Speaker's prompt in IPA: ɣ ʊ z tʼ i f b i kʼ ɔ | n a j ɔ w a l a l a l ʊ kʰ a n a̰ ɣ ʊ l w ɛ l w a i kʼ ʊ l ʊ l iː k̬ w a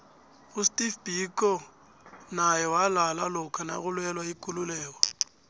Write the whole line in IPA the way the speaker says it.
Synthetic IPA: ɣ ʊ s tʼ i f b i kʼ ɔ | n a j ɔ w a l a l a l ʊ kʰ a n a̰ ɣ ʊ l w ɛ l w a i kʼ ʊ l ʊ l ɛː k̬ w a